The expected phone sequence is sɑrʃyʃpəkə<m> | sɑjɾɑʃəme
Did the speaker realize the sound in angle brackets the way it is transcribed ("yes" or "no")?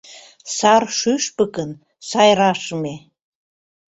no